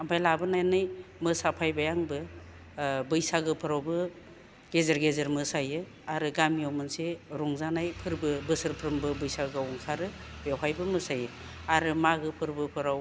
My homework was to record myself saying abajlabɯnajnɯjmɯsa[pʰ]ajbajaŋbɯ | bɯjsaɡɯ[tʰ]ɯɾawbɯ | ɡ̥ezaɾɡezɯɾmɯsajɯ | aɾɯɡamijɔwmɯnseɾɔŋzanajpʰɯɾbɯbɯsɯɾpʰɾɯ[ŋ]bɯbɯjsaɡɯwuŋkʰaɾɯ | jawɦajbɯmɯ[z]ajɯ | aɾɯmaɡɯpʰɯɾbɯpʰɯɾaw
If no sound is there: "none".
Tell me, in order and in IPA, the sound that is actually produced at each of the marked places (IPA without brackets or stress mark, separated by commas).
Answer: pʰ, pʰ, m, s